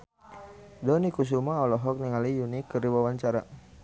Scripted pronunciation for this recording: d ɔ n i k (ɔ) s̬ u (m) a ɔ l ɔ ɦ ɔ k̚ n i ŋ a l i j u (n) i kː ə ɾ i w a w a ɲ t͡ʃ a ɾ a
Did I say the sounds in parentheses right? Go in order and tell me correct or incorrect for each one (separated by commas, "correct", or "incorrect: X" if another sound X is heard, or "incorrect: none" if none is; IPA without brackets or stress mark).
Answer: incorrect: u, correct, correct